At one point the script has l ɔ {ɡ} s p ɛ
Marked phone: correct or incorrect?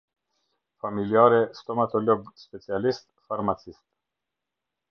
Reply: correct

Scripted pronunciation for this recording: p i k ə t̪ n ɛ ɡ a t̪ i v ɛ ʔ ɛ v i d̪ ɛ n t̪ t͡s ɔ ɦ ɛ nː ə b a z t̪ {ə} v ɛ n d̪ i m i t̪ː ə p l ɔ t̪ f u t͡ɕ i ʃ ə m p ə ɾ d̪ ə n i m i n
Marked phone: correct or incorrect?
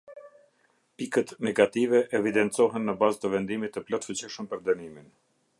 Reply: correct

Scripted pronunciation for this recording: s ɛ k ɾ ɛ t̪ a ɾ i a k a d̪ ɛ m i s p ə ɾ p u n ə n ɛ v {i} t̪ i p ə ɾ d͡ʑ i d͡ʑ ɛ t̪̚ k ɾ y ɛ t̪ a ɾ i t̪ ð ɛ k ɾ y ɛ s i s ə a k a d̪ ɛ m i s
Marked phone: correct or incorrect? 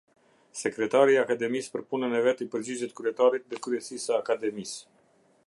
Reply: incorrect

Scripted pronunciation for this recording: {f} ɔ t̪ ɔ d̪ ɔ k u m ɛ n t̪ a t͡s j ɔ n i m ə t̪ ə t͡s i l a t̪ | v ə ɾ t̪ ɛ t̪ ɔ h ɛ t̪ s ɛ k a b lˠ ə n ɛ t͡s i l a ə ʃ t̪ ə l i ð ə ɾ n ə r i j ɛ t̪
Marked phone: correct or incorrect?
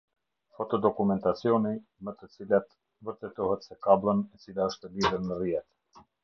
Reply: correct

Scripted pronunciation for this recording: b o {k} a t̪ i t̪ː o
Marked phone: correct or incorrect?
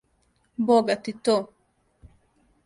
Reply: incorrect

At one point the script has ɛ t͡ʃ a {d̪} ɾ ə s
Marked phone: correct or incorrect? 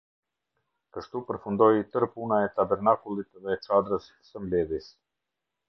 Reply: correct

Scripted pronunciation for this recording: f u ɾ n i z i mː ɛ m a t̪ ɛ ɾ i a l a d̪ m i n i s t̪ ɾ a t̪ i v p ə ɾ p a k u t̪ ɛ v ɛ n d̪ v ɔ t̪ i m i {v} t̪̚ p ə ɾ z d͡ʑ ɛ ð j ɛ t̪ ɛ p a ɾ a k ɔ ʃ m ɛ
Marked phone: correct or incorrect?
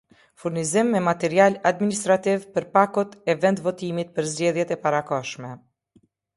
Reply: incorrect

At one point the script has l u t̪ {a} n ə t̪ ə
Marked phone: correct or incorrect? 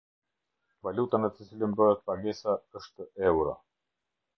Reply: correct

